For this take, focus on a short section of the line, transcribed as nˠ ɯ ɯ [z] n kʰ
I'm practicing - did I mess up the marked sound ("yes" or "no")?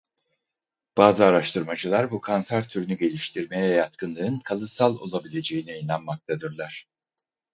yes